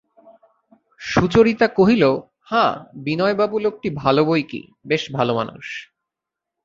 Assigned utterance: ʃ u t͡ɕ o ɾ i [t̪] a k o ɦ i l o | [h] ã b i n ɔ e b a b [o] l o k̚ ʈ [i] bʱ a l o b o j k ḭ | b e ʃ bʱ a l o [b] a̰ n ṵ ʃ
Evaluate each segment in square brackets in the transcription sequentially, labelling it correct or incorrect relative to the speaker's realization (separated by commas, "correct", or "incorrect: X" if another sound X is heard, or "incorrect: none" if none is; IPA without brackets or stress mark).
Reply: correct, correct, incorrect: u, correct, incorrect: m